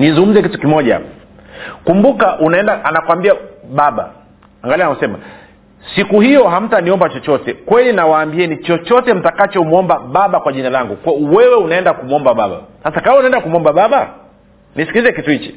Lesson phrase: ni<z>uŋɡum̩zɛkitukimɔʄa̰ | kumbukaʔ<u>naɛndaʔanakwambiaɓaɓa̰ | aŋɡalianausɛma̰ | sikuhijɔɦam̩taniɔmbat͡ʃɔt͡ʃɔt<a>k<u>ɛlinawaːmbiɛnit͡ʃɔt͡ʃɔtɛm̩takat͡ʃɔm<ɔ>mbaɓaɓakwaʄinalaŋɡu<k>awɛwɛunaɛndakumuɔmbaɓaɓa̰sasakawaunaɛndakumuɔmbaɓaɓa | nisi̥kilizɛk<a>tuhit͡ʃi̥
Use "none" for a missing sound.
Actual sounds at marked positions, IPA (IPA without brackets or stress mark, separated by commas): z, u, ɛ, w, ɔ, k, i